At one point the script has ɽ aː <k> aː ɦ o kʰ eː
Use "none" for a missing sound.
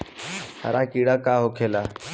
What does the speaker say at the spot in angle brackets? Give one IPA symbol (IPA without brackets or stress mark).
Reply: k